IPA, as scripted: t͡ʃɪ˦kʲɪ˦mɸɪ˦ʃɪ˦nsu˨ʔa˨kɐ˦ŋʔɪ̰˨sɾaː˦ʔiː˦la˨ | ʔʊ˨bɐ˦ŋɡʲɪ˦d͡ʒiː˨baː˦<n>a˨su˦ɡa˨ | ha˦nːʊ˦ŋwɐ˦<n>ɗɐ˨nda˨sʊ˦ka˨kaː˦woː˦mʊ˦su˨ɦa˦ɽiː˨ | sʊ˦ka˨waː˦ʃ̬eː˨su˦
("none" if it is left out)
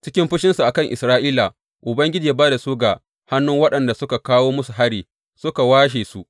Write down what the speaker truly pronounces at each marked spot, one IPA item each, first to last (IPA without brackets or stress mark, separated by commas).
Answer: d, none